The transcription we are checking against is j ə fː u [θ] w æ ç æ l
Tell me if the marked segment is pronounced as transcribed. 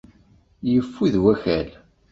no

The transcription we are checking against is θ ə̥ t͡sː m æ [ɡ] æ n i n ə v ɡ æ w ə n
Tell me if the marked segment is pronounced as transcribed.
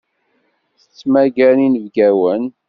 yes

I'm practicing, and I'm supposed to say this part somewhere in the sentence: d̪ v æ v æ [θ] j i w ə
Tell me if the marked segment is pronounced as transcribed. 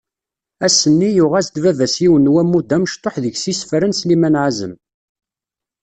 no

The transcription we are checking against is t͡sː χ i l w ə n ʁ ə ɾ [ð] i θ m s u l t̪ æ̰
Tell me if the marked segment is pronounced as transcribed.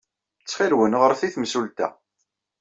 no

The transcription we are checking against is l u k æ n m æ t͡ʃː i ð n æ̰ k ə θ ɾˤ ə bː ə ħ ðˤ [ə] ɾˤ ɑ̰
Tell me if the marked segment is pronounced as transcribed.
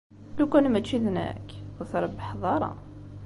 no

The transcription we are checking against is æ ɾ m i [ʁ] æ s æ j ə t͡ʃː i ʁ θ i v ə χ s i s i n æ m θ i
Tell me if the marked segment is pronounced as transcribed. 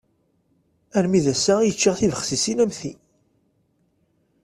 no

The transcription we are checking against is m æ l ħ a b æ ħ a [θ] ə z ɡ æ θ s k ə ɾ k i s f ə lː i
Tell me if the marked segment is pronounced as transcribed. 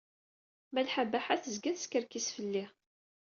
yes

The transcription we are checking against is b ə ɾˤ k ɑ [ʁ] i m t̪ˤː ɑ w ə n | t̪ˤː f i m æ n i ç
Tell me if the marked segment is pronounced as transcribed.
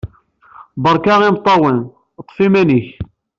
yes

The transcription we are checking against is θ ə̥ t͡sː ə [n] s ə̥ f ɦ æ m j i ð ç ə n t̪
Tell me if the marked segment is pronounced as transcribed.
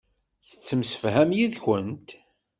no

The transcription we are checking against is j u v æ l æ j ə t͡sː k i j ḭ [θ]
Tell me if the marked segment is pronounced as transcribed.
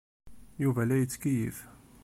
no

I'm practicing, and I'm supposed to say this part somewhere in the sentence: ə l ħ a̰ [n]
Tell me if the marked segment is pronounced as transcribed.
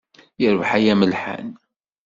yes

